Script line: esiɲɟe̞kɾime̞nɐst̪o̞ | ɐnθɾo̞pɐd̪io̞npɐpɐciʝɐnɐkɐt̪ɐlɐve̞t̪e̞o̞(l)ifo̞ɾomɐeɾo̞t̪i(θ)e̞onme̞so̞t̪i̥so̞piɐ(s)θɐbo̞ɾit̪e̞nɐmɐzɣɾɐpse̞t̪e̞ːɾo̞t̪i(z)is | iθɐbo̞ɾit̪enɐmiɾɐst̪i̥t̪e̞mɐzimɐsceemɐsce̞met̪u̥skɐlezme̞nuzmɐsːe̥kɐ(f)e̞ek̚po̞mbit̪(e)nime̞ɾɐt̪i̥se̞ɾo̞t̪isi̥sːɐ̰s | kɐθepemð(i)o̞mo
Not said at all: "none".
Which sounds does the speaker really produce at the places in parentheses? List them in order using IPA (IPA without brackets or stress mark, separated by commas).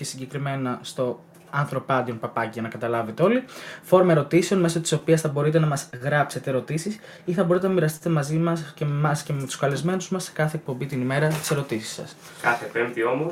l, s, s, s, θ, i, i